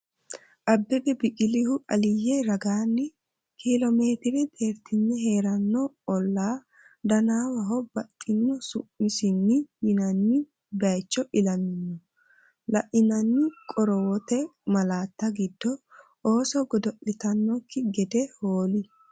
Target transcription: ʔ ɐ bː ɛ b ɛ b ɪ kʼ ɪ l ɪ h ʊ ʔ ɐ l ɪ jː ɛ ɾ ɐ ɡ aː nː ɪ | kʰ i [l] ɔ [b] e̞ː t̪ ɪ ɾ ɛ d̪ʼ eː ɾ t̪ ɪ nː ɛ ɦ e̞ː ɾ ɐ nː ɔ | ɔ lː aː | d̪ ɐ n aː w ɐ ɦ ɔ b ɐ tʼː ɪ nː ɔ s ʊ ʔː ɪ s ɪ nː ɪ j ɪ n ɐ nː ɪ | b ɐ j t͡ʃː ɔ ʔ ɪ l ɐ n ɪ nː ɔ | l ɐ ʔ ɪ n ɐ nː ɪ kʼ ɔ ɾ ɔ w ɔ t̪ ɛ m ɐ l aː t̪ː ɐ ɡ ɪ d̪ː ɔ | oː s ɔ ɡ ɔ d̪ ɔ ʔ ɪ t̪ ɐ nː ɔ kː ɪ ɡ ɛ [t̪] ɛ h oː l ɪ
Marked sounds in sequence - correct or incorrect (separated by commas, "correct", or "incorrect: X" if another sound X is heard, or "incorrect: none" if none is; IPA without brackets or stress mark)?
correct, incorrect: m, incorrect: d̪